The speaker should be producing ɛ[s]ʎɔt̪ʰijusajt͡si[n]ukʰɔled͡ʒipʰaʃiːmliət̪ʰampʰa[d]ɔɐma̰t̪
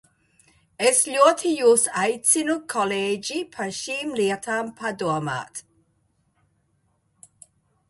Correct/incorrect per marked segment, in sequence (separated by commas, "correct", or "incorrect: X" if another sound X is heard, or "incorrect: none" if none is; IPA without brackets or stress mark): correct, correct, correct